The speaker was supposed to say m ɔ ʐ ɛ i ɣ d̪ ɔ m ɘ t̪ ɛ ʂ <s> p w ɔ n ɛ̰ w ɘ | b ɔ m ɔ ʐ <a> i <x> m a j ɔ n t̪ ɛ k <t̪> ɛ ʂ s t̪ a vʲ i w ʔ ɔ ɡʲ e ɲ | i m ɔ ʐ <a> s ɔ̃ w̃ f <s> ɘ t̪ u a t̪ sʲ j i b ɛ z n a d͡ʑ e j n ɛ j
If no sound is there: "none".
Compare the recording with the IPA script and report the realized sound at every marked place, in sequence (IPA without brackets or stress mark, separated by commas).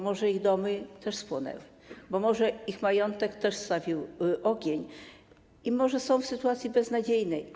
s, ɛ, x, t̪, ɛ, s